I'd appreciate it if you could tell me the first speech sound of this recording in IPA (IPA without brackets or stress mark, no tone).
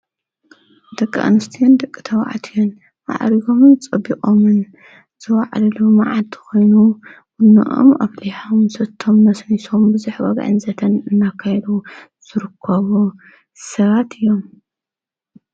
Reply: d̪